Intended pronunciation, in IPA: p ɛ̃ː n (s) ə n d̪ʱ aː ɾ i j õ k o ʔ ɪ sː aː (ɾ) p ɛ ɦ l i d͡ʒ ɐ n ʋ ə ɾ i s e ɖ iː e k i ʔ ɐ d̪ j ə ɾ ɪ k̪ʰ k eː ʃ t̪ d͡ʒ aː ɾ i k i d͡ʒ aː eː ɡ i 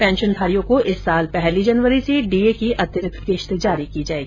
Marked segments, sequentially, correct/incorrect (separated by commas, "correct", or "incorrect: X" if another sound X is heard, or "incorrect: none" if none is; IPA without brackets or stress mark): incorrect: ʃ, incorrect: l